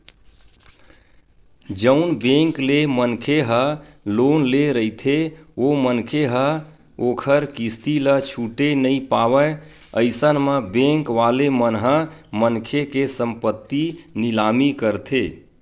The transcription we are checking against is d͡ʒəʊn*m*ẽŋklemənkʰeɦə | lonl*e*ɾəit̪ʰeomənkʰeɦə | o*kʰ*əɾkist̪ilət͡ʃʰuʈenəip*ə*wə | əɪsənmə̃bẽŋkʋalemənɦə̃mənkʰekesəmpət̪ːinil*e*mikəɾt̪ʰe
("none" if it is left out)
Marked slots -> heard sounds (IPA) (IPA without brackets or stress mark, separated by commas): b, e, kʰ, a, a